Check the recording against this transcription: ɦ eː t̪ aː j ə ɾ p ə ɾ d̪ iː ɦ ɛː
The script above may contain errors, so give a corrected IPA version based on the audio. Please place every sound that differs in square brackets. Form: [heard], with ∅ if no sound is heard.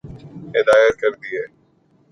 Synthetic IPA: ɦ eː [d̪] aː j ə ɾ [k] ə ɾ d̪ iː ɦ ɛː